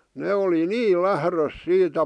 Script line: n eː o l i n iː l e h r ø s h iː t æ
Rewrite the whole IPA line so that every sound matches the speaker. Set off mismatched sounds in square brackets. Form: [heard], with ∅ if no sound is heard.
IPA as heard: n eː o l i n iː l [æ] h r ø s [s] iː t æ